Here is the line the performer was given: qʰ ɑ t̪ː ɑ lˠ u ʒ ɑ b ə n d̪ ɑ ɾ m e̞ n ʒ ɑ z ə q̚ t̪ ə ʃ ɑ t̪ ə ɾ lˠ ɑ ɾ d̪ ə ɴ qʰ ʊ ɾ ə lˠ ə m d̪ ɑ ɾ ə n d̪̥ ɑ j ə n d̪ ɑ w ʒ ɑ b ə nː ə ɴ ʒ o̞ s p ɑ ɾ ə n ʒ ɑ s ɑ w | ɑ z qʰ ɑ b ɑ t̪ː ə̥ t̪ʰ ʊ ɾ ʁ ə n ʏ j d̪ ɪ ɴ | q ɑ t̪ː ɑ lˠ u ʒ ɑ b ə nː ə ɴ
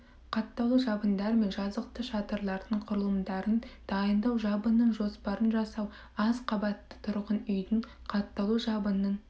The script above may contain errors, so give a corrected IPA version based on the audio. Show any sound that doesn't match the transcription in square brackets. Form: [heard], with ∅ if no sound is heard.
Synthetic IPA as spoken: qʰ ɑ t̪ː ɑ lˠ u ʒ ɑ b ə n d̪ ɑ ɾ m e̞ n ʒ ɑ z ə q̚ t̪ ə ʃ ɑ t̪ ə ɾ lˠ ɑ ɾ d̪ ə ɴ qʰ ʊ ɾ ə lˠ ə m d̪ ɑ ɾ ə n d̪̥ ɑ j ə n d̪ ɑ w ʒ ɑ b ə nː ə ɴ ʒ o̞ s p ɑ ɾ ə n ʒ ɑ s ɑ w | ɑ z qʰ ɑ b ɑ t̪ː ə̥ t̪ʰ ʊ ɾ ʁ ə n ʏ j d̪ ɪ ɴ | [qʰ] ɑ t̪ː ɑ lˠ u ʒ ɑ b ə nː ə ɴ